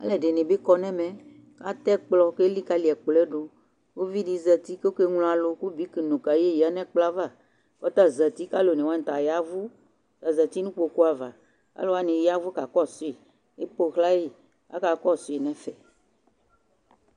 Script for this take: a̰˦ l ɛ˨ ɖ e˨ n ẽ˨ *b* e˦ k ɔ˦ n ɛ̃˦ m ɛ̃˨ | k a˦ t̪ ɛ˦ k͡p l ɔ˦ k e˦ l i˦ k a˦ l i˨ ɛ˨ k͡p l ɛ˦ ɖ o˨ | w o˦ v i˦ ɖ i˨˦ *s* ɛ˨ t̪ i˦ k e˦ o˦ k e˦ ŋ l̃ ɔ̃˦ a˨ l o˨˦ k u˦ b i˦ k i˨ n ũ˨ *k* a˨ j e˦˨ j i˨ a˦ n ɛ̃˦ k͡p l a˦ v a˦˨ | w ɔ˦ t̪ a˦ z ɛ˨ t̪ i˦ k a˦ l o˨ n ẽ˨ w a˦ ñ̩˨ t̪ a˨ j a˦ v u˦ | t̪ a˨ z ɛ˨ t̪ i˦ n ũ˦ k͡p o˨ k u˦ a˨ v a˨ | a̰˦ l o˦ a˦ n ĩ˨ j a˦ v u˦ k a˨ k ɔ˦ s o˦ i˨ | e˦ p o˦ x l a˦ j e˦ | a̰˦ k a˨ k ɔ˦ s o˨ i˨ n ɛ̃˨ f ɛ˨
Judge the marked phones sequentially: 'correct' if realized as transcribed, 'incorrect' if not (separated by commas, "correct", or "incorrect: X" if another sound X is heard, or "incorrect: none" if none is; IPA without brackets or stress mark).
correct, incorrect: z, correct